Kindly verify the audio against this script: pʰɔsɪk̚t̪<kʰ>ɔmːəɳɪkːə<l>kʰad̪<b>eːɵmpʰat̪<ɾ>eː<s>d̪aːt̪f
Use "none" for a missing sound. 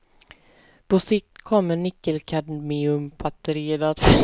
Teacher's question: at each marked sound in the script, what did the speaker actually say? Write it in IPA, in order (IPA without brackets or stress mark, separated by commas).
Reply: kʰ, l, m, ɾ, none